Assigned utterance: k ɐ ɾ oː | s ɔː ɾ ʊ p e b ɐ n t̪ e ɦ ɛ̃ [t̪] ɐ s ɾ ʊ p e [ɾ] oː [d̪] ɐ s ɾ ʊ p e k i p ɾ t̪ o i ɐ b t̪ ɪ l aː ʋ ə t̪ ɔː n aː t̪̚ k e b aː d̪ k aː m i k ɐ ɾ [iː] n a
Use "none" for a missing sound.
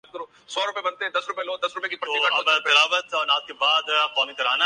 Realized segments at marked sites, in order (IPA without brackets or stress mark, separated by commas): d̪, l, d̪, aː